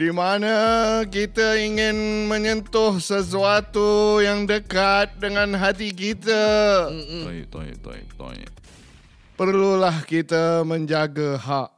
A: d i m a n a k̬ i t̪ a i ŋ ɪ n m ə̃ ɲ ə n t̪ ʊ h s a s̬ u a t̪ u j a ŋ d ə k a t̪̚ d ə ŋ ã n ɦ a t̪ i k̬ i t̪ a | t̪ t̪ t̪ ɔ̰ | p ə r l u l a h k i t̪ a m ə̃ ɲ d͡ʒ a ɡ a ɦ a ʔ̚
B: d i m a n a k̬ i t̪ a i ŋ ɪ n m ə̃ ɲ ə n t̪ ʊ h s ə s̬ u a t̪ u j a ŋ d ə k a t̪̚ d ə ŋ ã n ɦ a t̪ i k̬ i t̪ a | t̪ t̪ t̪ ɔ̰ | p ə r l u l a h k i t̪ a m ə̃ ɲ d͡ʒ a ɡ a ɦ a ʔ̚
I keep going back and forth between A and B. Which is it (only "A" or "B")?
B